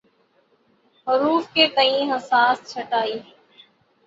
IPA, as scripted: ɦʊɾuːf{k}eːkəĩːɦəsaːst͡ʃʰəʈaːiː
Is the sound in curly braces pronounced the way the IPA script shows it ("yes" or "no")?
yes